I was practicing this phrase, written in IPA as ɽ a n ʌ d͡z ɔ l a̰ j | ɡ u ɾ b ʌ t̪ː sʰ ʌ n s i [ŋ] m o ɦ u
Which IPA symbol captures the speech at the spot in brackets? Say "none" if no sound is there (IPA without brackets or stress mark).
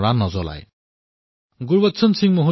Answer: ŋ